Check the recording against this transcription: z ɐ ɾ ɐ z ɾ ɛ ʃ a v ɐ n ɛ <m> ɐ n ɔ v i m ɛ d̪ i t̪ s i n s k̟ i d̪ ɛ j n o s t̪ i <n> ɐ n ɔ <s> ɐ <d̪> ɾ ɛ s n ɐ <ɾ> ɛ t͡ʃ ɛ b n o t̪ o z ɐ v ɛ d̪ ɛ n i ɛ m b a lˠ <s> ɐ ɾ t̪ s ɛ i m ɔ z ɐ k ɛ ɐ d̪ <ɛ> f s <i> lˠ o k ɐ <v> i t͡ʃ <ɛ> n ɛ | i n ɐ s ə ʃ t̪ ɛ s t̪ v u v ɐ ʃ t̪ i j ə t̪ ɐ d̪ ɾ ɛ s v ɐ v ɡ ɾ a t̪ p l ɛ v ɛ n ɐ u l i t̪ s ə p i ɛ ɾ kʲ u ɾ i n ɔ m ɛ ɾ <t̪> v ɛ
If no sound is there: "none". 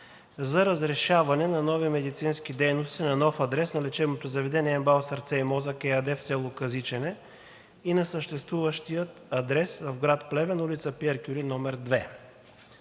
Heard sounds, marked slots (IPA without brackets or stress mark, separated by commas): n, n, f, d̪, l, s, ɛ, ɛ, z, ɛ, d̪